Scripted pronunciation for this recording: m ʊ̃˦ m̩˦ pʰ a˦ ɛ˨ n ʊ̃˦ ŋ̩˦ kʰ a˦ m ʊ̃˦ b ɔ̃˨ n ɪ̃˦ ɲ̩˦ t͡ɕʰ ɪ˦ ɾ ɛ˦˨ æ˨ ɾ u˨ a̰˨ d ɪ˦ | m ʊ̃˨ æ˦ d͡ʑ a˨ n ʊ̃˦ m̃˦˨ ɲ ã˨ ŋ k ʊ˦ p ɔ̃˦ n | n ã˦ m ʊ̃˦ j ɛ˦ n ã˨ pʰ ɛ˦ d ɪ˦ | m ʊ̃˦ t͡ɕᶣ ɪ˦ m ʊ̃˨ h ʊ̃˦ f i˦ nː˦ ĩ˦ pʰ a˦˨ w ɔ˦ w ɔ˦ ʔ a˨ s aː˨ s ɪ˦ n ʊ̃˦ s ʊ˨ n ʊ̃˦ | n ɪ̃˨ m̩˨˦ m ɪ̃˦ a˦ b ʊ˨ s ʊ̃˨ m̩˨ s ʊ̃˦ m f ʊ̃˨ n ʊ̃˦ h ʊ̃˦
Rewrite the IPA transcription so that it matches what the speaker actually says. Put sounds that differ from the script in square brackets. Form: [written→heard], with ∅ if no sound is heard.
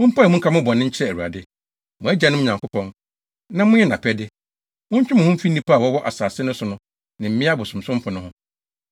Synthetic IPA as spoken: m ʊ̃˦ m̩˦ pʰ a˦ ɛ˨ [n→m] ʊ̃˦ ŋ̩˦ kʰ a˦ m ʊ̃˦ b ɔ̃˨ n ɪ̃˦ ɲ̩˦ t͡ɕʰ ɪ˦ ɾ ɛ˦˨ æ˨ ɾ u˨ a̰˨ d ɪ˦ | m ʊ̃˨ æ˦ d͡ʑ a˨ n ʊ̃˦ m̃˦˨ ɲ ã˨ ŋ k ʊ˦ p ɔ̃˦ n | n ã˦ m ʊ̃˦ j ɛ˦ n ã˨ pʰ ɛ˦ d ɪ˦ | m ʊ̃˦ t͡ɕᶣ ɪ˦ m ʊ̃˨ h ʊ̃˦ f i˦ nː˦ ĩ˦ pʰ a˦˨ w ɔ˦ w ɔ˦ ʔ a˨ s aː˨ s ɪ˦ n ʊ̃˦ s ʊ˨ n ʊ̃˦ | n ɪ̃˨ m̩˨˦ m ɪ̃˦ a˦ b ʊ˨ s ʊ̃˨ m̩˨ s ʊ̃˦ m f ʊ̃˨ n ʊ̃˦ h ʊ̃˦